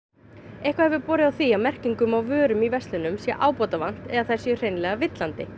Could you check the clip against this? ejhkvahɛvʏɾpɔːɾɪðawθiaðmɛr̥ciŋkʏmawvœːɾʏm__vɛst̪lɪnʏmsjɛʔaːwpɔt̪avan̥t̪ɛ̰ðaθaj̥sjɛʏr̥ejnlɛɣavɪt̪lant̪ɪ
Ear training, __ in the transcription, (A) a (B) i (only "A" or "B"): B